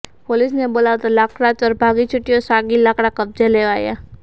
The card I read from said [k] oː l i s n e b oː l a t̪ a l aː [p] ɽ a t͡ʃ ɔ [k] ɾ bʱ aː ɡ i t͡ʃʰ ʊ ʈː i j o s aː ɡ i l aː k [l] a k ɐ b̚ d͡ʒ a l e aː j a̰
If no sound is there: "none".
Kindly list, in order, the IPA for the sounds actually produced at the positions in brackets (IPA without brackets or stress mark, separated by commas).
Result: p, k, none, ɽ